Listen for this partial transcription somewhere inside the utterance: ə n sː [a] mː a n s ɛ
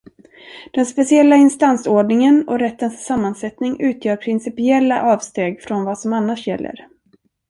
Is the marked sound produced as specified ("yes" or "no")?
yes